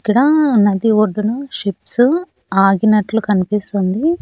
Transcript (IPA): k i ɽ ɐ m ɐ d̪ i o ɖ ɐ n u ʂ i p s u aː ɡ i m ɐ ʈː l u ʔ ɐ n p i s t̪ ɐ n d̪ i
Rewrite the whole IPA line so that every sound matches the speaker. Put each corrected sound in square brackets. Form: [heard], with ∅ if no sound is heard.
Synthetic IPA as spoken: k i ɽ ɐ [n] ɐ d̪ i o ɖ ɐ n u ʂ i p s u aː ɡ i [n] ɐ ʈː l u [k] ɐ n p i s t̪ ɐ n d̪ i